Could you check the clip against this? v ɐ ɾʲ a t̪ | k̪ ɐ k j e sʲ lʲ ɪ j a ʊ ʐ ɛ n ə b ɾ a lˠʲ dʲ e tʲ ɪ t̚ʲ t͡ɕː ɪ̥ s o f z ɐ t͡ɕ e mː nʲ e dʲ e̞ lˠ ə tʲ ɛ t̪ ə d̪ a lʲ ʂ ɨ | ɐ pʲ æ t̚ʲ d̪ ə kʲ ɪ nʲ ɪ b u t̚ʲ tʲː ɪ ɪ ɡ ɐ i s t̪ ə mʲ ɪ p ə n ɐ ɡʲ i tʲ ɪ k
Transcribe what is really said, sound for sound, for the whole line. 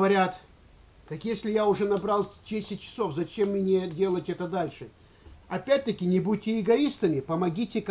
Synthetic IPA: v ɐ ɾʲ a t̪ | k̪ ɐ k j e sʲ lʲ ɪ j a ʊ ʐ ɛ n ɐ b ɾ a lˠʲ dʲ e sʲ ɪ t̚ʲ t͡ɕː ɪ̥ s o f z ɐ t͡ɕ e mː nʲ e dʲ e̞ lˠ ə tʲ ɛ t̪ ə d̪ a lʲ ʂ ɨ | ɐ pʲ æ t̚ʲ t̪ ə kʲ ɪ nʲ ɪ b u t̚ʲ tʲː ɪ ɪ ɡ ɐ i s t̪ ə mʲ ɪ p ə m ɐ ɡʲ i tʲ ɪ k